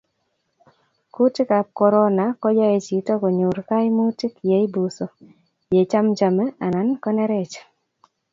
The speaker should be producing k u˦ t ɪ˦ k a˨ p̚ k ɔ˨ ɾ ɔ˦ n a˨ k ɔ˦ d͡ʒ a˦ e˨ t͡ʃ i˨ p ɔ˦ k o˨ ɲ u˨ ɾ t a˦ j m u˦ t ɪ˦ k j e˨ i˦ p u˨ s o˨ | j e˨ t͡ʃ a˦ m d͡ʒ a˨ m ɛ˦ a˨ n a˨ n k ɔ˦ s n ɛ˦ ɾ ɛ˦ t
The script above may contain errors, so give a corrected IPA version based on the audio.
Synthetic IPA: k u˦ t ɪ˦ k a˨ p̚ k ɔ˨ ɾ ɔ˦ n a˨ k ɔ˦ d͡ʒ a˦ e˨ t͡ʃ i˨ t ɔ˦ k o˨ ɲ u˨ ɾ k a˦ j m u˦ t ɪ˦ k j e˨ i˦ b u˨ s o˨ | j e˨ t͡ʃ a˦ m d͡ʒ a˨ m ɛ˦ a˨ n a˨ n k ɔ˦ n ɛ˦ ɾ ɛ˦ t͡ʃ